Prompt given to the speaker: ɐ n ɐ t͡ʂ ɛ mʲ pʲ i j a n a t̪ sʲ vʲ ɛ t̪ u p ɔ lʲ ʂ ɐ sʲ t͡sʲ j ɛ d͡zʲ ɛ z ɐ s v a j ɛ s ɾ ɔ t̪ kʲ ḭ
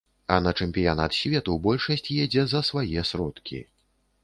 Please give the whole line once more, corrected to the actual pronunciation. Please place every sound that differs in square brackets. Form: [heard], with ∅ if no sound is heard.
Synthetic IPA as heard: ɐ n ɐ t͡ʂ ɛ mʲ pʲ i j a n a t̪ sʲ vʲ ɛ t̪ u [b] ɔ lʲ ʂ ɐ sʲ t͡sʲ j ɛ d͡zʲ ɛ z ɐ s v a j ɛ s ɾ ɔ t̪ kʲ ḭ